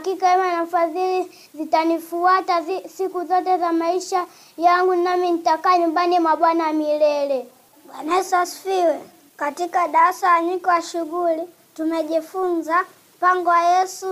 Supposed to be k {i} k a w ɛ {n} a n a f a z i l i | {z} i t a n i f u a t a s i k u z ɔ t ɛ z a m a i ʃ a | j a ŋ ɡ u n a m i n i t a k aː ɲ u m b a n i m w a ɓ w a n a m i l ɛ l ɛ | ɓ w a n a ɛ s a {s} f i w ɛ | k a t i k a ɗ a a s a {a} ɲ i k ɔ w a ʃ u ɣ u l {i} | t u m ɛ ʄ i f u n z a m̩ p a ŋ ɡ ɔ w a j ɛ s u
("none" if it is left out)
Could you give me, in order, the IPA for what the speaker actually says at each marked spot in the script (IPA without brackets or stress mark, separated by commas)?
i, m, z, s, a, i